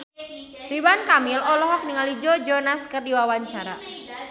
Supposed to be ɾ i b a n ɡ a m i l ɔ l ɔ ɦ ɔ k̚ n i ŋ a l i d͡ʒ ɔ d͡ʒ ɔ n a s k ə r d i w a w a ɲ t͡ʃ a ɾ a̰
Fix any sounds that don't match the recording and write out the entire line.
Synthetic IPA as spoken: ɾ i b a n k a m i l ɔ l ɔ ɦ ɔ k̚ n i ŋ a l i d͡ʒ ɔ d͡ʒ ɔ n a s k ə r d i w a w a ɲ t͡ʃ a ɾ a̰